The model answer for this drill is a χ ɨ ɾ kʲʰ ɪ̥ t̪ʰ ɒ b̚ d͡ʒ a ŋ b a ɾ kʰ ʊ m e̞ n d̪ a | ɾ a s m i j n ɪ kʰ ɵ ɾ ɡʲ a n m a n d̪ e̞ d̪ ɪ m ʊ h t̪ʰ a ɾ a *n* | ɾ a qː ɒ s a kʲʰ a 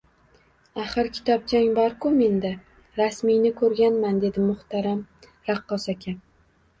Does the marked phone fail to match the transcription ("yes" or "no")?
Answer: yes